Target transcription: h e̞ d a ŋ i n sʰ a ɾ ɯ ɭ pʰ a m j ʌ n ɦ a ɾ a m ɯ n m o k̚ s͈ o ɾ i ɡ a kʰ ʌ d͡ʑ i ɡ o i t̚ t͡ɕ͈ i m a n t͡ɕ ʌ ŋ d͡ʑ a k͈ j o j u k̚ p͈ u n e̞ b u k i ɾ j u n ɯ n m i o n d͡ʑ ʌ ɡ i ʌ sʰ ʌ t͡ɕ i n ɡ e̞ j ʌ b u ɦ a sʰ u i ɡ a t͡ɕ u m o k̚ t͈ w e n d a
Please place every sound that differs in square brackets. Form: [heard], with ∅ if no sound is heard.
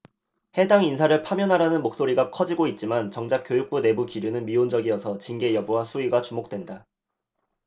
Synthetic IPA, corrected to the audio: h e̞ d a ŋ i n sʰ a ɾ ɯ ɭ pʰ a m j ʌ n ɦ a ɾ a [n] ɯ n m o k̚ s͈ o ɾ i ɡ a kʰ ʌ d͡ʑ i ɡ o i t̚ t͡ɕ͈ i m a n t͡ɕ ʌ ŋ d͡ʑ a k͈ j o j u k̚ p͈ u n e̞ b u k i ɾ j u n ɯ n m i o n d͡ʑ ʌ ɡ i ʌ sʰ ʌ t͡ɕ i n ɡ e̞ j ʌ b u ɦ a sʰ u i ɡ a t͡ɕ u m o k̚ t͈ w e n d a

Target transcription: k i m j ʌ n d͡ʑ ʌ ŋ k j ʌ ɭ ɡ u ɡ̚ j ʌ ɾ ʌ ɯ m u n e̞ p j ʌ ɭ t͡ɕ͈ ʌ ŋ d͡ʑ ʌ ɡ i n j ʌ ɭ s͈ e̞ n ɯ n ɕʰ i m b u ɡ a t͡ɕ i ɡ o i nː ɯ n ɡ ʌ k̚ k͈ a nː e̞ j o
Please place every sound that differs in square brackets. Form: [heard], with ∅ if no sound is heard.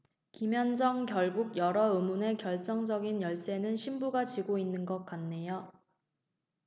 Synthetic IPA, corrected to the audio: k i m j ʌ n d͡ʑ ʌ ŋ k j ʌ ɭ ɡ u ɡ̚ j ʌ ɾ ʌ ɯ m u n e̞ [k] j ʌ ɭ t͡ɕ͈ ʌ ŋ d͡ʑ ʌ ɡ i n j ʌ ɭ s͈ e̞ n ɯ n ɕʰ i m b u ɡ a t͡ɕ i ɡ o i nː ɯ n ɡ ʌ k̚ k͈ a nː e̞ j o

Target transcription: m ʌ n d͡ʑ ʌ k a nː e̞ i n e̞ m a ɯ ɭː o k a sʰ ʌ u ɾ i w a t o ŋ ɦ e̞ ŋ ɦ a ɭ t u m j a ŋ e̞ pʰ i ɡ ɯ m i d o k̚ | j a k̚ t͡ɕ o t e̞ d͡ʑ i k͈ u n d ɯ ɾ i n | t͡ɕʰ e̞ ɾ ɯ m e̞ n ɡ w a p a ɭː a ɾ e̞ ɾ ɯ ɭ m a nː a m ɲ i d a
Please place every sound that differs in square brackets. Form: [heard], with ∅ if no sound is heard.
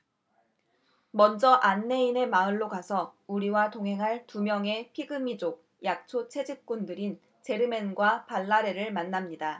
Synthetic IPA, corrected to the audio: m ʌ n d͡ʑ ʌ [ʔ] a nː e̞ i n e̞ m a ɯ ɭː o k a sʰ ʌ u ɾ i w a t o ŋ ɦ e̞ ŋ ɦ a ɭ t u m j [ʌ] ŋ e̞ pʰ i ɡ ɯ m i [d͡ʑ] o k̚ | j a k̚ [t͡ɕʰ] o [t͡ɕʰ] e̞ d͡ʑ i k͈ u n d ɯ ɾ i n | [t͡ɕ] e̞ ɾ ɯ m e̞ n ɡ w a p a ɭː a ɾ e̞ ɾ ɯ ɭ m a nː a m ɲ i d a

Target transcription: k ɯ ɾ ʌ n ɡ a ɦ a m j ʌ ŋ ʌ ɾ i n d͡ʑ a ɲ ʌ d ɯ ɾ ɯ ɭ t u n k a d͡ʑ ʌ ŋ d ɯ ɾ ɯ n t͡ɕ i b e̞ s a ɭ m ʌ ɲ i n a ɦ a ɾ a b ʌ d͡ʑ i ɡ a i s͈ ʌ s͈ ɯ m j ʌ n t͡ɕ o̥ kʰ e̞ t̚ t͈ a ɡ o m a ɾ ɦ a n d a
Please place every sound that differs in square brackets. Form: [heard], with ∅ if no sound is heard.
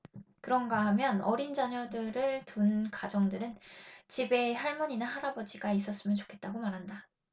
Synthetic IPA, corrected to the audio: k ɯ ɾ ʌ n ɡ a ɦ a m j ʌ [n] ʌ ɾ i n d͡ʑ a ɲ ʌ d ɯ ɾ ɯ ɭ t u n k a d͡ʑ ʌ ŋ d ɯ ɾ ɯ n t͡ɕ i b e̞ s a ɭ m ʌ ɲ i n a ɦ a ɾ a b ʌ d͡ʑ i ɡ a i s͈ ʌ s͈ ɯ m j ʌ n t͡ɕ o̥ kʰ e̞ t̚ t͈ a ɡ o m a ɾ ɦ a n d a

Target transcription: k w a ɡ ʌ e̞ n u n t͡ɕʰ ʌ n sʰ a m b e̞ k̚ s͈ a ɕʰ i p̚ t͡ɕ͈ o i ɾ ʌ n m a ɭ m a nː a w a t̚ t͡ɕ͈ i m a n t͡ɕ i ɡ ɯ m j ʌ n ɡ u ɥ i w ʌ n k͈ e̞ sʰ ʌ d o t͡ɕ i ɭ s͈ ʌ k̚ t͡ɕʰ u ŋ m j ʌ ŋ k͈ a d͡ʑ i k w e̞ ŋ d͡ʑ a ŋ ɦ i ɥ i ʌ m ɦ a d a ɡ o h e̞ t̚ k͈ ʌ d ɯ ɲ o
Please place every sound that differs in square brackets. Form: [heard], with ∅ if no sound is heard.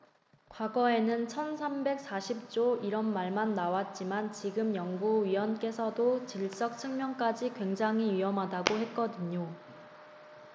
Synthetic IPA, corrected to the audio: k w a ɡ ʌ e̞ n [ɯ] n t͡ɕʰ ʌ n sʰ a m b e̞ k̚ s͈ a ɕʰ i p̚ t͡ɕ͈ o i ɾ ʌ n m a ɭ m a nː a w a t̚ t͡ɕ͈ i m a n t͡ɕ i ɡ ɯ m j ʌ [ŋ] ɡ u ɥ i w ʌ n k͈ e̞ sʰ ʌ d o t͡ɕ i ɭ s͈ ʌ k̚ t͡ɕʰ [ɯ] ŋ m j ʌ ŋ k͈ a d͡ʑ i k w e̞ ŋ d͡ʑ a ŋ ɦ i ɥ i ʌ m ɦ a d a ɡ o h e̞ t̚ k͈ ʌ d ɯ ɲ o

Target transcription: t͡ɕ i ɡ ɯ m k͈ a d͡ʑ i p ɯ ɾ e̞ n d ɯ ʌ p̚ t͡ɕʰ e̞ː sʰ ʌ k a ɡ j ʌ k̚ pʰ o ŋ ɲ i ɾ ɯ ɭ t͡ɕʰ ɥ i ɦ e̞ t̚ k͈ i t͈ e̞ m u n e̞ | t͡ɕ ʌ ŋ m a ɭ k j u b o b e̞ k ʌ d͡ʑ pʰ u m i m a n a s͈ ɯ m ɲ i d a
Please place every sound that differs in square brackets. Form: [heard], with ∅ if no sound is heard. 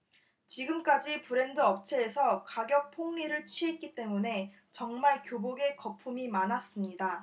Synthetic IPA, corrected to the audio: t͡ɕ i ɡ ɯ m k͈ a d͡ʑ i p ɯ ɾ e̞ n d ɯ ʌ p̚ t͡ɕʰ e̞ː sʰ ʌ k a ɡ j ʌ k̚ pʰ o ŋ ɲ i ɾ ɯ ɭ t͡ɕʰ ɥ i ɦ e̞ t̚ k͈ i t͈ e̞ m u n e̞ | t͡ɕ ʌ ŋ m a ɭ k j [o] b o [ɡ] e̞ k ʌ [∅] pʰ u m i m a n a s͈ ɯ m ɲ i d a

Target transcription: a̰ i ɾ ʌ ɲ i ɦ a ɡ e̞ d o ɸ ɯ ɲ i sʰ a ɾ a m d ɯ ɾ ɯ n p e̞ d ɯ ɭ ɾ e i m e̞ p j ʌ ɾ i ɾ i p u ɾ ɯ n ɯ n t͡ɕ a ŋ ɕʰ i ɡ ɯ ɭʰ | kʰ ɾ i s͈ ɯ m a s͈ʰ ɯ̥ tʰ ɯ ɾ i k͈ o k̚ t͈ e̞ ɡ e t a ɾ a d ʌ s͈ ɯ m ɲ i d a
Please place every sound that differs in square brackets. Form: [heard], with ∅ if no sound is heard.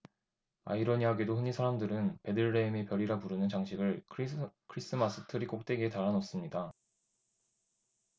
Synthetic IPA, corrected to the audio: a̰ i ɾ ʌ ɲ i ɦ a ɡ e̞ d o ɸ ɯ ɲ i sʰ a ɾ a m d ɯ ɾ ɯ n p e̞ d ɯ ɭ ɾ e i m e̞ p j ʌ ɾ i ɾ [a] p u ɾ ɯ n ɯ n t͡ɕ a ŋ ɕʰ i ɡ ɯ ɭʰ | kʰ ɾ i s͈ ɯ m a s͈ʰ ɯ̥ tʰ ɯ ɾ i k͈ o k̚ t͈ e̞ ɡ e t a ɾ a [n] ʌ s͈ ɯ m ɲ i d a

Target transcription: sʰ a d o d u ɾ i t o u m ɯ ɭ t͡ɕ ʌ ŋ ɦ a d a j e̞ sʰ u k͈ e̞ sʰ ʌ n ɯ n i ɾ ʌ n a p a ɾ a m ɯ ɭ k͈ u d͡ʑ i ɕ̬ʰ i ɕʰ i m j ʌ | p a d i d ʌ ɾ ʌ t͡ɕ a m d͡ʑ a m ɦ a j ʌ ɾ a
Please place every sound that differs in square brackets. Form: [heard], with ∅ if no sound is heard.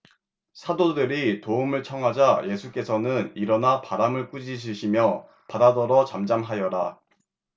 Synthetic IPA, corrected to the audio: sʰ a d o d [ɯ] ɾ i t o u m ɯ ɭ [t͡ɕʰ] ʌ ŋ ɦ a [d͡ʑ] a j e̞ sʰ u k͈ e̞ sʰ ʌ n ɯ n i ɾ ʌ n a p a ɾ a m ɯ ɭ k͈ u d͡ʑ i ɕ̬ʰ i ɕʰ i m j ʌ | p a d [a] d ʌ ɾ ʌ t͡ɕ a m d͡ʑ a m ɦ a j ʌ ɾ a

